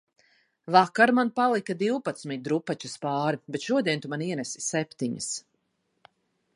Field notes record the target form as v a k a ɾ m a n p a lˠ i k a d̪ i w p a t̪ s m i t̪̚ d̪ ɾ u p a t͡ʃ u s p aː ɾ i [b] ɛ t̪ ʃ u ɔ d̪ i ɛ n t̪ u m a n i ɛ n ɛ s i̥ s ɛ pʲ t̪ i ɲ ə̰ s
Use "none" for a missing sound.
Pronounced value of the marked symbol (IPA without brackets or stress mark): b